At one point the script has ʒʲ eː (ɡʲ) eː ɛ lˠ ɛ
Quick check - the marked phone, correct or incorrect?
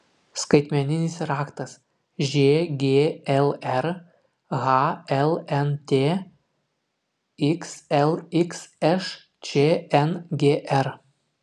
correct